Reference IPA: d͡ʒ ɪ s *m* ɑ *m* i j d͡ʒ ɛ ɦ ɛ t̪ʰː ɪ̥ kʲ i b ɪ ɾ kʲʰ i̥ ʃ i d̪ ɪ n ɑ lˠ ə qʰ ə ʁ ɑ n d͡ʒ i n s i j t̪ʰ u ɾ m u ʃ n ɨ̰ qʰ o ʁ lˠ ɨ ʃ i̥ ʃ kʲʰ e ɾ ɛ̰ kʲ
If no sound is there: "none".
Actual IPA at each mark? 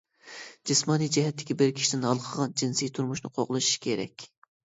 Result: m, n

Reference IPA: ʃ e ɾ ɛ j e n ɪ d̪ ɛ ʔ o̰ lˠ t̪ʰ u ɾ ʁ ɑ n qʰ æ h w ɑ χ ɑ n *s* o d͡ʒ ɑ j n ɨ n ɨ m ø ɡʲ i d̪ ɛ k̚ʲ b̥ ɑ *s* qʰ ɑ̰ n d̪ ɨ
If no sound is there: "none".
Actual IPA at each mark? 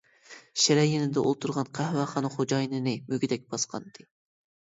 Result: χ, s

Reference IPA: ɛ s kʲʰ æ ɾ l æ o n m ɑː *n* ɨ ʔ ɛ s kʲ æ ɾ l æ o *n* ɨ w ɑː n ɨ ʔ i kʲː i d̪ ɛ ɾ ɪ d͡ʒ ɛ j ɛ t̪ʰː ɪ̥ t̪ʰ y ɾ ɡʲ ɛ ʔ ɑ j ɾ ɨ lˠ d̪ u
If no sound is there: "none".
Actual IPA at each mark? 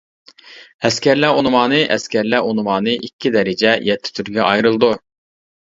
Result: n, n

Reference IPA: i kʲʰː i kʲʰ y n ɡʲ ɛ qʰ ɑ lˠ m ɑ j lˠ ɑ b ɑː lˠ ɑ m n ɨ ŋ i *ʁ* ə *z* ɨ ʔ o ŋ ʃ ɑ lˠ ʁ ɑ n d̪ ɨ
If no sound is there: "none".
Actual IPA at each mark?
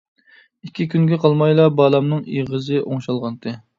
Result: ʁ, z

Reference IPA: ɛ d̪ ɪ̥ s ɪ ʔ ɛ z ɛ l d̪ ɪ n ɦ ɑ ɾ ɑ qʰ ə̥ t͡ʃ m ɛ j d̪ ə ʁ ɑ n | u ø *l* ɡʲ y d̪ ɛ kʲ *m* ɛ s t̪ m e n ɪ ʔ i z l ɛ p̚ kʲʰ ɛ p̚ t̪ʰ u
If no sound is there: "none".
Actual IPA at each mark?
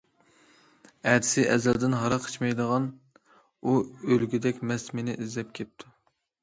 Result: l, m

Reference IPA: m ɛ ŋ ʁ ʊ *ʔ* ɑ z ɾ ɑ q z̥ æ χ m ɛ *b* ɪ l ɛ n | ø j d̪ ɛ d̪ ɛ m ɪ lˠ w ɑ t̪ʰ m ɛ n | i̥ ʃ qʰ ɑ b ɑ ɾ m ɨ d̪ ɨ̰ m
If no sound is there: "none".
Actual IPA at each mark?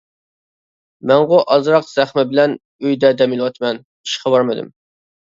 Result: ʔ, b

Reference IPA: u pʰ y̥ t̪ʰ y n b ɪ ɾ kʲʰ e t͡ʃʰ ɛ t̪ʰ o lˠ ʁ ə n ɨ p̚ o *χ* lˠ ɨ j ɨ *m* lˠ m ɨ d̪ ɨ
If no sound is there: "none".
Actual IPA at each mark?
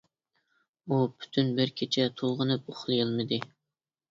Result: χ, none

